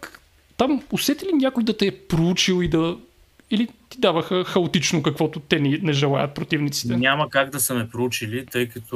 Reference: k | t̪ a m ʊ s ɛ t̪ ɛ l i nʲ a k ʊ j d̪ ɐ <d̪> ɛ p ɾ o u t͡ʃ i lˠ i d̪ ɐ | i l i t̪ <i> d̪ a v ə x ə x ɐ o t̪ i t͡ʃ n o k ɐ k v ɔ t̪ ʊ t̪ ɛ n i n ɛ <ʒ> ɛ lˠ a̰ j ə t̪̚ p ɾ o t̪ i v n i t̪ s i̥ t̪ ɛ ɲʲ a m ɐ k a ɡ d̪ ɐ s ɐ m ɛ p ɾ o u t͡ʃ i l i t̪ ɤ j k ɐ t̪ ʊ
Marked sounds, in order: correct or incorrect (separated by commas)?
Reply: incorrect, correct, correct